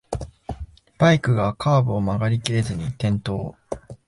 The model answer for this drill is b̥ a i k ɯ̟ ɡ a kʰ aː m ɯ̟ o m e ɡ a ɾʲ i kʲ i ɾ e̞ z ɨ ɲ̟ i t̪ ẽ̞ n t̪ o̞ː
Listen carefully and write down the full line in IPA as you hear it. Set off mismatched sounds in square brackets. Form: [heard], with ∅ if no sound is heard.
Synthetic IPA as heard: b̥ a i k ɯ̟ ɡ a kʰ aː [b] ɯ̟ o m [a] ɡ a ɾʲ i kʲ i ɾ e̞ z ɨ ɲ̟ i t̪ ẽ̞ n t̪ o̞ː